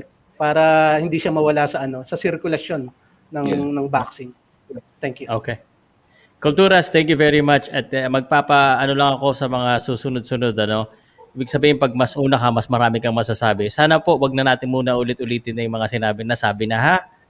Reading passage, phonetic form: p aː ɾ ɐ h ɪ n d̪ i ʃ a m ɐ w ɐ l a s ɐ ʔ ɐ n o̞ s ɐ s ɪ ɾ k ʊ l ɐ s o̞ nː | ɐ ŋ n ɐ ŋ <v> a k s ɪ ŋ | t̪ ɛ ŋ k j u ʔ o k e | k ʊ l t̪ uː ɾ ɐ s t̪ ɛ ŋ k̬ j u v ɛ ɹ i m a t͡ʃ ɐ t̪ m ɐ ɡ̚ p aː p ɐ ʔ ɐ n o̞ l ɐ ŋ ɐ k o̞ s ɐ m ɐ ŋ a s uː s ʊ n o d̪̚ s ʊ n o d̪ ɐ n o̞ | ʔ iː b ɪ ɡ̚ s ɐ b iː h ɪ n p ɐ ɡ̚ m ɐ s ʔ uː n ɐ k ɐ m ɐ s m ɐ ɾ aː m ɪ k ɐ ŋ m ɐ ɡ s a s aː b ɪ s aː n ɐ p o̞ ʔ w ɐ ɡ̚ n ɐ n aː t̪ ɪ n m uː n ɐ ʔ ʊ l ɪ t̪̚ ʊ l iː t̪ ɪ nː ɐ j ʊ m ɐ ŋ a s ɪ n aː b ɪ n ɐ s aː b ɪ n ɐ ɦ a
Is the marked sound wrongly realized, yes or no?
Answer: yes